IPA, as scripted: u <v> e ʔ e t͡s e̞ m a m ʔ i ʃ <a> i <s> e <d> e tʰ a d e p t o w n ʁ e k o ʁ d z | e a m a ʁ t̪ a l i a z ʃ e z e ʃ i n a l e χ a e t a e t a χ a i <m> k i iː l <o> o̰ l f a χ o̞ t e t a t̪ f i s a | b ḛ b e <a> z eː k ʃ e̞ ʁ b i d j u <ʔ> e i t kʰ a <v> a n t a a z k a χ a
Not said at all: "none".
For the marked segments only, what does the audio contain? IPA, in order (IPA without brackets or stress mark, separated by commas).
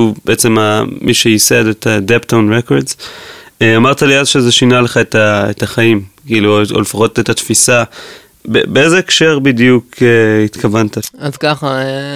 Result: b, e, s, d, m, u, e, k, v